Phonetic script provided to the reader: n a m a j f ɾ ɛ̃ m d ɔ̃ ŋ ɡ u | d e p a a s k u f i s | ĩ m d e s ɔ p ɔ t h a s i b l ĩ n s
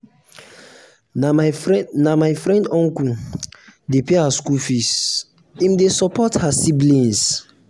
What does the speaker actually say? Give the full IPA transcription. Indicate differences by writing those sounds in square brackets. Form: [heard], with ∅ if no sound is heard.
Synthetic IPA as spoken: n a m a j f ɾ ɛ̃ [n] d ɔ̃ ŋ [k] u | d e p [e] a s k u f i s | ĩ m d e s ɔ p ɔ t h a s i b l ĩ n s